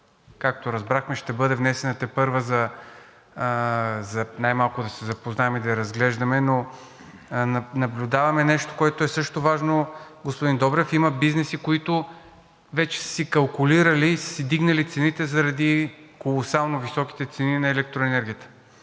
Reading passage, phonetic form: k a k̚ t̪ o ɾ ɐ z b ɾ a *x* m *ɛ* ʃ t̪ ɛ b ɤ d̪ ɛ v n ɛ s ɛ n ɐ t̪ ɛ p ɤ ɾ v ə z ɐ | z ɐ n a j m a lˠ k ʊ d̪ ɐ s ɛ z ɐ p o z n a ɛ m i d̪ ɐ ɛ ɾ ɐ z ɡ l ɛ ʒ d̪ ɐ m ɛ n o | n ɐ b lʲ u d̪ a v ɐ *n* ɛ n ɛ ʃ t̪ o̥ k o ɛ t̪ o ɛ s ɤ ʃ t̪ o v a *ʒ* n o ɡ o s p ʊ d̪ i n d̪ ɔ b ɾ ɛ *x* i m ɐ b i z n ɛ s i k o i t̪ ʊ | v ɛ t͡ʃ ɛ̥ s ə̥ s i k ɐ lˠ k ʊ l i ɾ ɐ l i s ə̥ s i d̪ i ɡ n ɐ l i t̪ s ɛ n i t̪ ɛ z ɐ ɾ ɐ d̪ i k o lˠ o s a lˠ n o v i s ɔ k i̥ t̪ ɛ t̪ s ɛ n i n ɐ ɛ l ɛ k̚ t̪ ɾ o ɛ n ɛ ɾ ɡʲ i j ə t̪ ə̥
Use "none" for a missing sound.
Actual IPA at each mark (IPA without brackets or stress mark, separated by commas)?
x, ɛ, m, ʒ, f